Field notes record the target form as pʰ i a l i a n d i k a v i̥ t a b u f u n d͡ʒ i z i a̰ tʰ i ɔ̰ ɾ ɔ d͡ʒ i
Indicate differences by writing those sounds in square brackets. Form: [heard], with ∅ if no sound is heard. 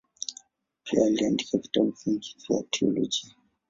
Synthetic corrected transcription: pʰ i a l i a n d i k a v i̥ t a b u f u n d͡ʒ i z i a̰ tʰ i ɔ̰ [l] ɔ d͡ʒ i

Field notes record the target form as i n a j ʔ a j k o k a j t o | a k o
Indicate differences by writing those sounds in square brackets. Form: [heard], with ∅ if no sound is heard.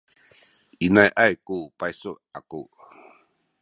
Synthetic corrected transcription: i n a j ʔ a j k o [p] a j [s] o | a k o

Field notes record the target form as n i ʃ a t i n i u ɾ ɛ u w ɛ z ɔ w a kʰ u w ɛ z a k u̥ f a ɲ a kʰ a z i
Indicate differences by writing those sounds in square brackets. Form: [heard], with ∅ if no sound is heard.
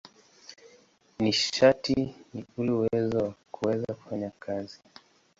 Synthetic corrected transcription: n i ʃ a t i n i u [l] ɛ u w ɛ z ɔ w a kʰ u w ɛ z a k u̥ f a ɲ a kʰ a z i

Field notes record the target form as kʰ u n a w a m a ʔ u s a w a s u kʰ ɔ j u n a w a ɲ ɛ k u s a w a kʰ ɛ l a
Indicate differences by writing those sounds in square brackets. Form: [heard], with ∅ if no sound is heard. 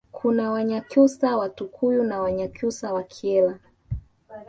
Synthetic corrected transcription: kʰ u n a w a [ɲ] a [k] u s a w a [t] u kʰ [u] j u n a w a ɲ [a] k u s a w a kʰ ɛ l a

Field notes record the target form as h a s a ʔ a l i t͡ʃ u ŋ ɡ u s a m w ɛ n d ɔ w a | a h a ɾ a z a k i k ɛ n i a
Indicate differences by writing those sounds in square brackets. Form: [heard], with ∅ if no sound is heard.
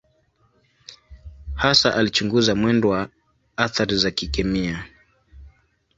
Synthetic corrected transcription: h a s a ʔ a l i t͡ʃ u ŋ ɡ u [z] a m w ɛ n d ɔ w a | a [θ] a ɾ [i] z a k i k ɛ [m] i a

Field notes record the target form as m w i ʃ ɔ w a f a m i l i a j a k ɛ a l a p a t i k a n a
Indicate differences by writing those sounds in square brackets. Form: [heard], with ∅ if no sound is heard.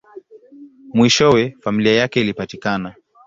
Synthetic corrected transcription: m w i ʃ ɔ w [ɛ] f a m i l i a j a k ɛ [i] l [i] p a t i k a n a

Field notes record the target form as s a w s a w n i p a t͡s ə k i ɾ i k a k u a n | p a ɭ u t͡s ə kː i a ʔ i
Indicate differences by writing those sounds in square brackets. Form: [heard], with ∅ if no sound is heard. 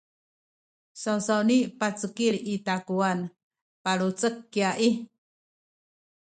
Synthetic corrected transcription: s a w s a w n i p a t͡s ə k i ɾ i [t] a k u a n | p a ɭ u t͡s ə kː i a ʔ i

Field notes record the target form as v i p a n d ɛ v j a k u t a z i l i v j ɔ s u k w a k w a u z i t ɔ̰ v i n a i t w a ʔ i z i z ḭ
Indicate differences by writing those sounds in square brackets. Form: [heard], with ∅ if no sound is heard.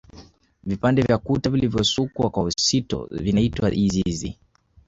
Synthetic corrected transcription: v i p a n d ɛ v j a k u t a [v] i l i v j ɔ s u k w a k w a u [s] i t ɔ̰ v i n a i t w a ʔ i z i z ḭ

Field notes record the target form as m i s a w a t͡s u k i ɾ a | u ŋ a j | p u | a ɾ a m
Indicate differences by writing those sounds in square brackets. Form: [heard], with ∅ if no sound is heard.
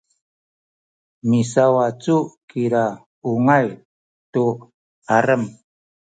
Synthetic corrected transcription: m i s a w a t͡s u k i ɾ a | u ŋ a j | [t] u | a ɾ [ə] m

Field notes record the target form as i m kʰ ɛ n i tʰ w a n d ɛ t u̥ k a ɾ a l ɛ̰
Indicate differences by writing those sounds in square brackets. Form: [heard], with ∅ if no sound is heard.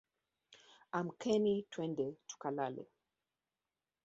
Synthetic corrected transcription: [a] m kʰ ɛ n i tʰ w [ɛ] n d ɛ t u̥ k a [l] a l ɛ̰

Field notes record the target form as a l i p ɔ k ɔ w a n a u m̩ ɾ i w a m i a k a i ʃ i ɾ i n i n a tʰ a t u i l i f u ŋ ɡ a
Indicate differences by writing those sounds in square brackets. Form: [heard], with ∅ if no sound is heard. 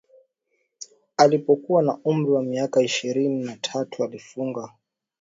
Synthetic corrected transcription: a l i p ɔ k [u] w a n a u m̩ ɾ i w a m i a k a i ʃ i ɾ i n i n a tʰ a t u [a] l i f u ŋ ɡ a

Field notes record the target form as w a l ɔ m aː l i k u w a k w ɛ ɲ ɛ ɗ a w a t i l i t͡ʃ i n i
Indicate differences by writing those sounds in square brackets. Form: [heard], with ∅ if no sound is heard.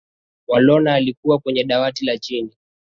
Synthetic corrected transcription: w a l ɔ [n] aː l i k u w a k w ɛ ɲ ɛ ɗ a w a t i l [a] t͡ʃ i n i

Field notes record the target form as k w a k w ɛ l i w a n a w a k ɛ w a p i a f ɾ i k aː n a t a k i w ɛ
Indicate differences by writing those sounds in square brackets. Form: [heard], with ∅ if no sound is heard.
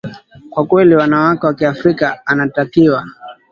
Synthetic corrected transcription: k w a k w ɛ l i w a n a w a k ɛ w a [k] i a f ɾ i k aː n a t a k i w [a]

